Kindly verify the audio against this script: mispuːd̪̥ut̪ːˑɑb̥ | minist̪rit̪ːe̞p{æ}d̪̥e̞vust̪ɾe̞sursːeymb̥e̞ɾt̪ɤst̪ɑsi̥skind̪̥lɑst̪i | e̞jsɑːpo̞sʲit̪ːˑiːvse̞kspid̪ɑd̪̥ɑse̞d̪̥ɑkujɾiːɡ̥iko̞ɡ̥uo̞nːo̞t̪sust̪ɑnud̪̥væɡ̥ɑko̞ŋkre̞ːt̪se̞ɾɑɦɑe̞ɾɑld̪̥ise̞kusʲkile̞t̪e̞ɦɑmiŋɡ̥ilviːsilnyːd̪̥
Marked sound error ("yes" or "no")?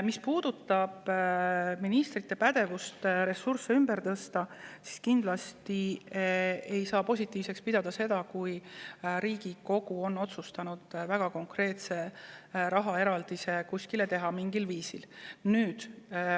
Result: no